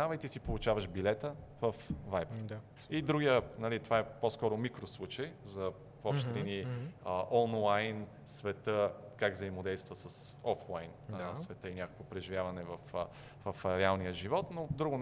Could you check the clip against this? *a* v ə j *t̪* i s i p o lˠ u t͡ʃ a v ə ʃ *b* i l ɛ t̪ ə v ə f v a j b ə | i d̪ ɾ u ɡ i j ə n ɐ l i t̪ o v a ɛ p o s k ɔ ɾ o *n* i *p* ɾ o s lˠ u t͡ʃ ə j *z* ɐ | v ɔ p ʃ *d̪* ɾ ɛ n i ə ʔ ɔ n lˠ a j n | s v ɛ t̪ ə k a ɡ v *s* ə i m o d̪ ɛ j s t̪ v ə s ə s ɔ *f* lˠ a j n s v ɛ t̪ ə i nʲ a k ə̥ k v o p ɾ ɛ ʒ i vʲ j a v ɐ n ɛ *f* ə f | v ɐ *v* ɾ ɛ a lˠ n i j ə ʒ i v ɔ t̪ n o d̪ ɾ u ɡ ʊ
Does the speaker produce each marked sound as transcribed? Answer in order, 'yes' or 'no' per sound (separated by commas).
yes, yes, yes, no, no, yes, no, no, yes, no, no